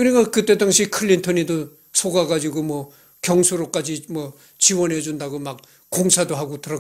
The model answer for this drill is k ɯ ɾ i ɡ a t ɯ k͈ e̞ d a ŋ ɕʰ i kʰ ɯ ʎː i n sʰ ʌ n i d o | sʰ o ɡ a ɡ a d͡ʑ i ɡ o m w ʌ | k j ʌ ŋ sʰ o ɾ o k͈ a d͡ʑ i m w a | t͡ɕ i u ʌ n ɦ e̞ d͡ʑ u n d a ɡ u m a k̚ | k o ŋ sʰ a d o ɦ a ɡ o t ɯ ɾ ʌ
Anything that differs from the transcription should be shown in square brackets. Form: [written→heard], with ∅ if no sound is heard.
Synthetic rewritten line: k ɯ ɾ i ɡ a [t→k] ɯ [k͈→t͈] e̞ d a ŋ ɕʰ i kʰ ɯ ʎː i n [sʰ→tʰ] ʌ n i d o | sʰ o ɡ a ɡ a d͡ʑ i ɡ o m w ʌ | k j ʌ ŋ sʰ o ɾ o k͈ a d͡ʑ i m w [a→ʌ] | t͡ɕ i [u→w] ʌ n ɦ e̞ d͡ʑ u n d a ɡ [u→o] m a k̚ | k o ŋ sʰ a d o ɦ a ɡ o t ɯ ɾ ʌ